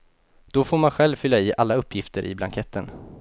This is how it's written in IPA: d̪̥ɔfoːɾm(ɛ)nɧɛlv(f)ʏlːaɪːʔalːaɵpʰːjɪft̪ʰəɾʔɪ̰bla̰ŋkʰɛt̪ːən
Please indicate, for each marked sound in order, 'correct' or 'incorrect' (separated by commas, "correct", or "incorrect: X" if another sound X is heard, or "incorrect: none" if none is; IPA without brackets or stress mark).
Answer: incorrect: a, correct